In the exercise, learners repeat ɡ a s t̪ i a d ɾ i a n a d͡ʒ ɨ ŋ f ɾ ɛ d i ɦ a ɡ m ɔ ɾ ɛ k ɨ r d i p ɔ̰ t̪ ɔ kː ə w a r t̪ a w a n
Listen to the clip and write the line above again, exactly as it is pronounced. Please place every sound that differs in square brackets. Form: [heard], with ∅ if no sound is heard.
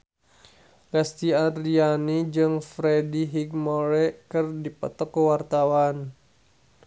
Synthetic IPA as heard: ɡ a s t̪ i a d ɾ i a n [i] d͡ʒ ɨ ŋ f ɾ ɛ d i ɦ [i] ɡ m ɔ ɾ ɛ k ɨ r d i p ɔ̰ t̪ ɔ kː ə w a r t̪ a w a n